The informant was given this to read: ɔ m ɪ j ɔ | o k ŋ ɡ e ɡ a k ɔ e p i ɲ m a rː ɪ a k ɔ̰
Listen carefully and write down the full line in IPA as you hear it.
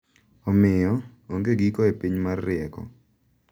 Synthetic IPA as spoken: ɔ m ɪ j ɔ | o ŋ ɡ e ɡ i k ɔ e p i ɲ m a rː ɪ ɛ k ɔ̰